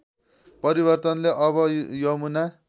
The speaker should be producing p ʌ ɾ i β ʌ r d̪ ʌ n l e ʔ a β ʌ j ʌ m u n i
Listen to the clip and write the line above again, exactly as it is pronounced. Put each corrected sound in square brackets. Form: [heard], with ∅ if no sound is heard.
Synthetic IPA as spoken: p ʌ ɾ i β ʌ r [t̪] ʌ n l e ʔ [ʌ] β ʌ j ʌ m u n [a]